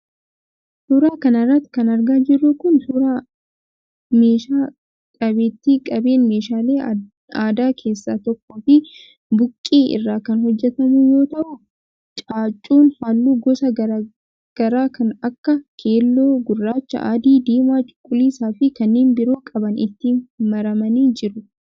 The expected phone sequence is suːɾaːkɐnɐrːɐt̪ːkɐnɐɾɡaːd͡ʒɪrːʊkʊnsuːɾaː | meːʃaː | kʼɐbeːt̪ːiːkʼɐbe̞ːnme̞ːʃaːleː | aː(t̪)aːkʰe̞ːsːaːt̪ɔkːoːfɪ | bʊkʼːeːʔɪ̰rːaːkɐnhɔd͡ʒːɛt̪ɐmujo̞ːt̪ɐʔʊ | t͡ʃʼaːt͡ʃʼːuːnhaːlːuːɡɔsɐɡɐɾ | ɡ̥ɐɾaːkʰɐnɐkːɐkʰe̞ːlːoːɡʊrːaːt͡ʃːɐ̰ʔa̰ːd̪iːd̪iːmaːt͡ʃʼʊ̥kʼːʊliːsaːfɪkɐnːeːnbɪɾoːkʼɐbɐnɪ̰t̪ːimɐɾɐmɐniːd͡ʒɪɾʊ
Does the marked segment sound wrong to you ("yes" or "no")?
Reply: yes